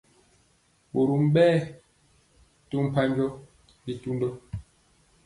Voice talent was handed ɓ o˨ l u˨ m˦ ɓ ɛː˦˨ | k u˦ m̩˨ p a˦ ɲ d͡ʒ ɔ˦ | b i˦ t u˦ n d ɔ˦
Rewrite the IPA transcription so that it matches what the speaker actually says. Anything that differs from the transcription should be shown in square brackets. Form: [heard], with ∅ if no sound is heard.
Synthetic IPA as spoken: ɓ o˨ [ɾ] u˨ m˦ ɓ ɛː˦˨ | [t] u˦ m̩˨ p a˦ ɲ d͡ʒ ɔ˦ | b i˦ t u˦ n d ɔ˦